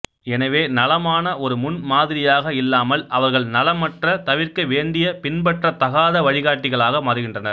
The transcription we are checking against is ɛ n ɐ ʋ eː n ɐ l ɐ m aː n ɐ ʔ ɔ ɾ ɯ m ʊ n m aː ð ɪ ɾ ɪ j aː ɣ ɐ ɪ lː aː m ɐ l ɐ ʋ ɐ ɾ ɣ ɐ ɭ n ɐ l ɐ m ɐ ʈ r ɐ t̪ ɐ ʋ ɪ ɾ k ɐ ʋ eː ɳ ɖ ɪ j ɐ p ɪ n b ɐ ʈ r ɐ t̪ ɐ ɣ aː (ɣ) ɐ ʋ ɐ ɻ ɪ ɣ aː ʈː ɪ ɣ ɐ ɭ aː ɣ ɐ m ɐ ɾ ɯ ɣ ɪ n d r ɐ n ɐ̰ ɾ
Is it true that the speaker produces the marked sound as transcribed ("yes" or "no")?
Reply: no